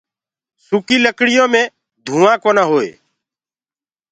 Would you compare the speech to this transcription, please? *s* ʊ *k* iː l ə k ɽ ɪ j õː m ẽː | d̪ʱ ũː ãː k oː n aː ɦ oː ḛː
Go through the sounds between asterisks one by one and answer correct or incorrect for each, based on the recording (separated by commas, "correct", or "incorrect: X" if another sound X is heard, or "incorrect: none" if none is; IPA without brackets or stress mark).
correct, correct